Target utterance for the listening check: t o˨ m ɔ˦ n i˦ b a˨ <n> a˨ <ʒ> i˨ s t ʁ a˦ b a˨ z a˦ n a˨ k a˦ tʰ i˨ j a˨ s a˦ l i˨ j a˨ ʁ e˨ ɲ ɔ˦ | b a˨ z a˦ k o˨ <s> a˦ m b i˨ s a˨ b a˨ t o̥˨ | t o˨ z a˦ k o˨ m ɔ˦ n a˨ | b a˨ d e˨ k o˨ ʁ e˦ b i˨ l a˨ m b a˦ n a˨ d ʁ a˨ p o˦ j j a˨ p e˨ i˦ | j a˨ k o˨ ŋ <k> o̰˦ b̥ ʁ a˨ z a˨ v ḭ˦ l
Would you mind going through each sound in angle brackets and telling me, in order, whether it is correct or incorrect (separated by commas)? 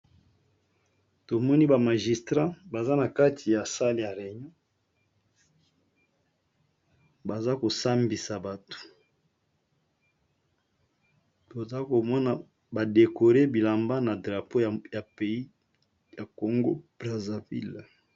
incorrect, correct, correct, incorrect